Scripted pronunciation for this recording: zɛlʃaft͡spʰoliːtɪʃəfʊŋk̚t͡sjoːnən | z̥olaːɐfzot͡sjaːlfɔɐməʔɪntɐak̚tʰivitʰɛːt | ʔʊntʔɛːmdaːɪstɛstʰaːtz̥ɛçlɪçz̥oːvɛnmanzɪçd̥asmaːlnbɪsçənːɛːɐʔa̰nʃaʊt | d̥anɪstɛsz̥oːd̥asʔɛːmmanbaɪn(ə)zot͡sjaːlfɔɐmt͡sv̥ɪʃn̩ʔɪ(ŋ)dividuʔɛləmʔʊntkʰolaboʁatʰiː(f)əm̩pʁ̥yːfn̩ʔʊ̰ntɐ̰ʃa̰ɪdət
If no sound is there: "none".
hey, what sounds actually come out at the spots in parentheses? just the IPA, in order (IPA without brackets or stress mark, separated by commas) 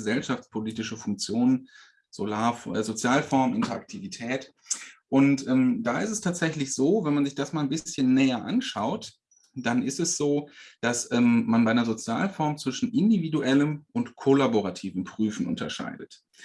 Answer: ɐ, n, v